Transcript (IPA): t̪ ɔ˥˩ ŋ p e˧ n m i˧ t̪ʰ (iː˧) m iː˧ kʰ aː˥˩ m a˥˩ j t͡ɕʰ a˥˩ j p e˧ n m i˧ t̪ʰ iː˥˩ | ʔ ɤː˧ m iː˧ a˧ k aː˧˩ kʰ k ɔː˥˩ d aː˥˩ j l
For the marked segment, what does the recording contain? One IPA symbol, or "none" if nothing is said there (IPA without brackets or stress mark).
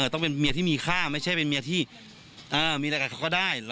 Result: iː˥˩